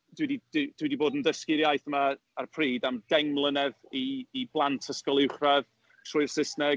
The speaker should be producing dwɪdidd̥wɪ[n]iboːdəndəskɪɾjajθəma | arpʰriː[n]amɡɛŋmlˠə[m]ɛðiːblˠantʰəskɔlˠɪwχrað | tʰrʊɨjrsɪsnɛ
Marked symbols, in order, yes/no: no, no, no

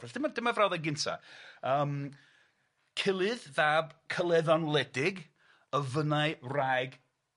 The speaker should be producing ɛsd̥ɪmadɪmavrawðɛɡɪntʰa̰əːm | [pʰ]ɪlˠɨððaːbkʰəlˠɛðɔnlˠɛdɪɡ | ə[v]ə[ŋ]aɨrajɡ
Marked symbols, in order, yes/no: no, yes, no

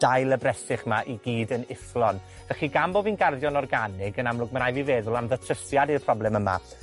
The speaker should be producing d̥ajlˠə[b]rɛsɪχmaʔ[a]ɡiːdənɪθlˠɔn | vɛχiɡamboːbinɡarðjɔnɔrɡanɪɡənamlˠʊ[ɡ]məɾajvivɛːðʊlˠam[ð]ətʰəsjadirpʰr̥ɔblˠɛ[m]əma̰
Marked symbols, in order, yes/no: yes, no, yes, yes, yes

